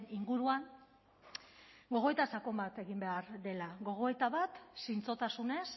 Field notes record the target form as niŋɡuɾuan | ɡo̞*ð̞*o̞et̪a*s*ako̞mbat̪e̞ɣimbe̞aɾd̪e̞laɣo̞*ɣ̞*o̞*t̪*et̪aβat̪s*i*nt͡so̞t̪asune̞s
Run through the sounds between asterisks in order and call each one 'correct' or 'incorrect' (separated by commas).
incorrect, correct, correct, incorrect, correct